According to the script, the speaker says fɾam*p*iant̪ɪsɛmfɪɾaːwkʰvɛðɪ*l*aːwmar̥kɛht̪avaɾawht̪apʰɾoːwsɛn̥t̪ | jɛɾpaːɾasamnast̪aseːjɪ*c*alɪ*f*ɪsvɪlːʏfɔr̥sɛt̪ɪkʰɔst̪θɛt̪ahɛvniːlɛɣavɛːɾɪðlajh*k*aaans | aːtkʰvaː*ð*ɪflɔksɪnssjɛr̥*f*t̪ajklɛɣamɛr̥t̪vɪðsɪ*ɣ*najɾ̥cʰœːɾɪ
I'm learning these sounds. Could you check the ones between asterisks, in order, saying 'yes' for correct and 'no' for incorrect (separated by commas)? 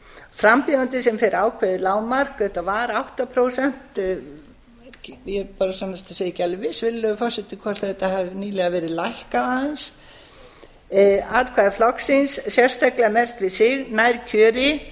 yes, yes, yes, no, yes, yes, no, yes